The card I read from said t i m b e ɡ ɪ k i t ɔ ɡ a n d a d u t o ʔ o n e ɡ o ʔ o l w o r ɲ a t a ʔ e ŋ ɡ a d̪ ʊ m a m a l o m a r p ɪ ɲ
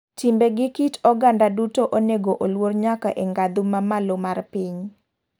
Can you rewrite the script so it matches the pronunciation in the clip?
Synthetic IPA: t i m b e ɡ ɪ k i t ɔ ɡ a n d a d u t o ʔ o n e ɡ o ʔ o l w o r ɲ a k a ʔ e ŋ ɡ a d̪ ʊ m a m a l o m a r p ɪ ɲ

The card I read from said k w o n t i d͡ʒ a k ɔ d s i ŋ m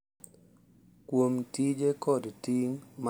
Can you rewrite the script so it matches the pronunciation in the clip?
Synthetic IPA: k w o m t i d͡ʒ e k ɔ d t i ŋ m

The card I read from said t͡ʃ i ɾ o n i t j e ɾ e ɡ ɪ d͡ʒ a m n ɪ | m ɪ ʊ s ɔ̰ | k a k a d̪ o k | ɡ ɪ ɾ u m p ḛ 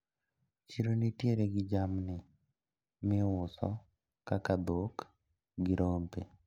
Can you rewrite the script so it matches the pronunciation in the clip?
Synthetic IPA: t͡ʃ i ɾ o n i t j e ɾ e ɡ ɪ d͡ʒ a m n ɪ | m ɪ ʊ s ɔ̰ | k a k a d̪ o k | ɡ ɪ ɾ o m p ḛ

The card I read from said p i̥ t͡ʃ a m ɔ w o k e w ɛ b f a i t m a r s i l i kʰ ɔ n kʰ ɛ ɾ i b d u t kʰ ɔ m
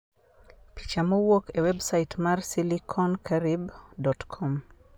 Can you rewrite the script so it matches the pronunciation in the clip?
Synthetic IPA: p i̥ t͡ʃ a m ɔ w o k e w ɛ b s a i t m a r s i l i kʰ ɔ n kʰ a ɾ i b d ɔ t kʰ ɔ m

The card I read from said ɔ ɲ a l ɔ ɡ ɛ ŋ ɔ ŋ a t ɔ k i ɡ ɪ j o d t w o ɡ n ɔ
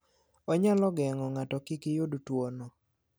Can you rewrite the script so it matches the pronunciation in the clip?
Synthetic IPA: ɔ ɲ a l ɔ ɡ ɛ ŋ ɔ ŋ a t ɔ k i k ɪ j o d t w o n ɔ

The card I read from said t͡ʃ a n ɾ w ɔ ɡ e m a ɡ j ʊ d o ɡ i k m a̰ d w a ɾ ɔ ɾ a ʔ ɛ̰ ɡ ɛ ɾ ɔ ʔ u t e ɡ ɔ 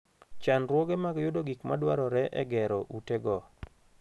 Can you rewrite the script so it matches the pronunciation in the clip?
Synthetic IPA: t͡ʃ a n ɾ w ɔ ɡ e m a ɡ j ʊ d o ɡ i k m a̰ d w a ɾ ɔ ɾ ɛ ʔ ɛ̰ ɡ ɛ ɾ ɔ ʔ u t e ɡ ɔ

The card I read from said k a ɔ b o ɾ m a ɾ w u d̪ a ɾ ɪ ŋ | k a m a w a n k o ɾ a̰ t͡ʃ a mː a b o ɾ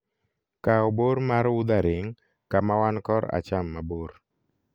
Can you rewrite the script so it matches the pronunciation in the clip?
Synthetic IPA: k a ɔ b o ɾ m a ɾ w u d̪ a ɾ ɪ ŋ | k a m a w a n k ɔ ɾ a̰ t͡ʃ a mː a b o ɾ

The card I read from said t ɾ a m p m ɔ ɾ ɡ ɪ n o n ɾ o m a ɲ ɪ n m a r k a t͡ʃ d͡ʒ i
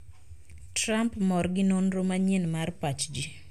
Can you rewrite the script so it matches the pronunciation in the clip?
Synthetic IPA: t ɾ a m p m ɔ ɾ ɡ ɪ n o n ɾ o m a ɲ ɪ n m a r p a t͡ʃ d͡ʒ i

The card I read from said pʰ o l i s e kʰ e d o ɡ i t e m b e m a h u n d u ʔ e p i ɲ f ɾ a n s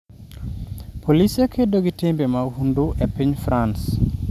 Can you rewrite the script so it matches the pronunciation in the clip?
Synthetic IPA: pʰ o l i s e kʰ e d o ɡ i t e m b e m a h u n d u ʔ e p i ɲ f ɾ a n s

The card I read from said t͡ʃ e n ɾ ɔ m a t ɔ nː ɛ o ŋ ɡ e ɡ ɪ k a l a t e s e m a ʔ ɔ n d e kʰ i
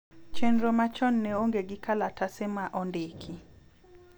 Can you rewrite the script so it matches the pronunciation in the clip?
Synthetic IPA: t͡ʃ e n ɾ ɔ m a t͡ʃ ɔ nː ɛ o ŋ ɡ e ɡ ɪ k a l a t a s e m a ʔ ɔ n d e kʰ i

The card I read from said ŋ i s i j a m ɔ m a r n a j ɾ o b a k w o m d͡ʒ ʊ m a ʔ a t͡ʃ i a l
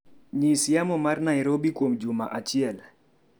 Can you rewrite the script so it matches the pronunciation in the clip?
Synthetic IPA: ɲ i s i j a m ɔ m a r n a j ɾ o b i k w o m d͡ʒ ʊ m a ʔ a t͡ʃ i ɛ l

